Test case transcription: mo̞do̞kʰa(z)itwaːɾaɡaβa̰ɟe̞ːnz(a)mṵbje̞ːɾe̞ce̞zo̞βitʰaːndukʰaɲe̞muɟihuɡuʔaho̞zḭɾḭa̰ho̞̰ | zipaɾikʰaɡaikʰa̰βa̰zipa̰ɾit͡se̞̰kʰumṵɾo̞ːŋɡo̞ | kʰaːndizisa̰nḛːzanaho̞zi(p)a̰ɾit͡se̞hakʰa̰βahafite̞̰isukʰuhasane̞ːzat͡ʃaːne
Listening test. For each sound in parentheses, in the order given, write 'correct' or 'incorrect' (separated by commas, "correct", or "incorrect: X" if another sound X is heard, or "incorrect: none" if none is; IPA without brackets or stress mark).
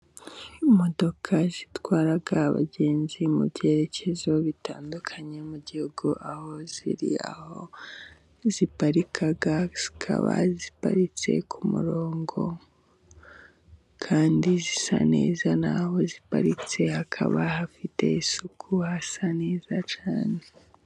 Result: correct, incorrect: i, correct